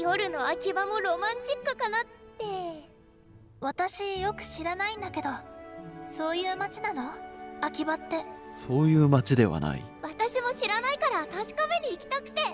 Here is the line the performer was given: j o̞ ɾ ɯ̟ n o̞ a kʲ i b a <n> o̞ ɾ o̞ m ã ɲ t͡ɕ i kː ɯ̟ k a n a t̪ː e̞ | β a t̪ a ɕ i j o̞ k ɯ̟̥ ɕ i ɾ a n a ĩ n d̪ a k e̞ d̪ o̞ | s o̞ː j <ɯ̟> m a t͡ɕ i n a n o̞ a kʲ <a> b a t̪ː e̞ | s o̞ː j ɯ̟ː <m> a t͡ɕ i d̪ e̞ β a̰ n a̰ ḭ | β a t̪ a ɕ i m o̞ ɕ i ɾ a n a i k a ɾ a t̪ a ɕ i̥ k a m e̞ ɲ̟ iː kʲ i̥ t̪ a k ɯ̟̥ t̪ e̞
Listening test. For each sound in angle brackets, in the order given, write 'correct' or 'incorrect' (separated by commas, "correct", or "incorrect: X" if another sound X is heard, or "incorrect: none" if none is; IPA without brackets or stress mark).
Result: incorrect: m, incorrect: ɯ̟ː, incorrect: i, correct